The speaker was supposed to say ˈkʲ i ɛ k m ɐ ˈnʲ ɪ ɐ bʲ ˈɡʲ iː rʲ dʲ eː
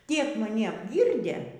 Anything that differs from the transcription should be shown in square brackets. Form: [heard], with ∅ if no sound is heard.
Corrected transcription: [ˈtʲ] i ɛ k m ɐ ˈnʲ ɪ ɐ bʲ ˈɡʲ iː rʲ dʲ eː